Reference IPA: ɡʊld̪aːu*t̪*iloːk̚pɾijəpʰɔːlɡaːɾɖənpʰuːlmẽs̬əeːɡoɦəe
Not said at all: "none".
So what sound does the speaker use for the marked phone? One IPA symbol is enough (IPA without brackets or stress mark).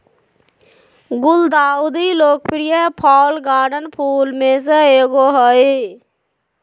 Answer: d̪